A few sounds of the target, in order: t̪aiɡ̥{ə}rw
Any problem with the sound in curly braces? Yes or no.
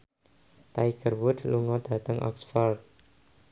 no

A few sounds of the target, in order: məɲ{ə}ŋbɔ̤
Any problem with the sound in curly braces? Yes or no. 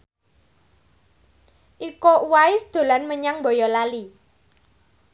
yes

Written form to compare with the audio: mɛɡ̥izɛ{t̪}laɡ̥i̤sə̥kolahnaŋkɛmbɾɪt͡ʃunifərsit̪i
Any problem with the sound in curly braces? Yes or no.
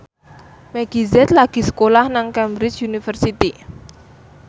no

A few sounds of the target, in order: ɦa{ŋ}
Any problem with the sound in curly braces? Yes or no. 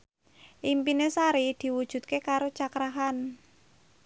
yes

